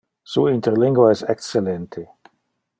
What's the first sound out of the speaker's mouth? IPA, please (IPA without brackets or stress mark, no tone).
s